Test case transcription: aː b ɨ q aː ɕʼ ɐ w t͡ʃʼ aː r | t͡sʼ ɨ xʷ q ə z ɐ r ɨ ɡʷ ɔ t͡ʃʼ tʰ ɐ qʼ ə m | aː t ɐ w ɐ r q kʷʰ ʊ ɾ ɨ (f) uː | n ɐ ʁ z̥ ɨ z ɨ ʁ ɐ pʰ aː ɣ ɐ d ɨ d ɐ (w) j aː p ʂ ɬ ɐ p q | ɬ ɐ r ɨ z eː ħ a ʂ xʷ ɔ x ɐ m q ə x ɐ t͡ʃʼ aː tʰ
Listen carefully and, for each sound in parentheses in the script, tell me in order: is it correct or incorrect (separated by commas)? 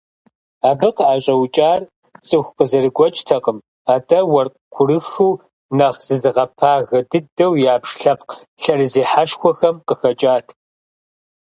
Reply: incorrect, correct